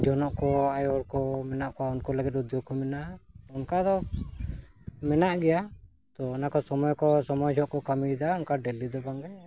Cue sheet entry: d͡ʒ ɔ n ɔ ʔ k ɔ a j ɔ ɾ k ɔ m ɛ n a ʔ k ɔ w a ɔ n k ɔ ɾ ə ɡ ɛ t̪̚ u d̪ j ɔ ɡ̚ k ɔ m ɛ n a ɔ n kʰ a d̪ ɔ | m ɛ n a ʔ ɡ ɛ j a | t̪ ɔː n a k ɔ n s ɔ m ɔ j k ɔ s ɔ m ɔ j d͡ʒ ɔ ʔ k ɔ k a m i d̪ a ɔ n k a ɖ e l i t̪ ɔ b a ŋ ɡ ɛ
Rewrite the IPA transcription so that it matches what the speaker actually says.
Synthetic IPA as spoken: d͡ʒ ɔ n ɔ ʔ k ɔ a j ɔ ɾ k ɔ m ɛ n a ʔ k ɔ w a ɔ n k ɔ l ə ɡ ɛ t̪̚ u d̪ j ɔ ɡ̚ k ɔ m ɛ n a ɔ n k a d̪ ɔ | m ɛ n a ʔ ɡ ɛ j a | t̪ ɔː n a k ɔ s ɔ m ɔ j k ɔ s ɔ m ɔ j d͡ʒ ɔ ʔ k ɔ k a m i d̪ a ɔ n k a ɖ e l i d̪ ɔ b a ŋ ɡ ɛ